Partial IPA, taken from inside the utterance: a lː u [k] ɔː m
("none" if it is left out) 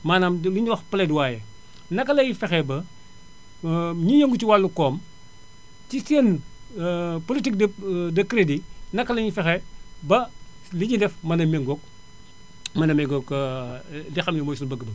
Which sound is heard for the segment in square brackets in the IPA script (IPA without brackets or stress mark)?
k